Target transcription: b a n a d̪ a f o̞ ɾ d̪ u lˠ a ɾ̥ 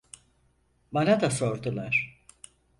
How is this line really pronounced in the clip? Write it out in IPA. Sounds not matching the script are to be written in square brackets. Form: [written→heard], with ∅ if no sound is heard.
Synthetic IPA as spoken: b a n a d̪ a [f→s] o̞ ɾ d̪ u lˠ a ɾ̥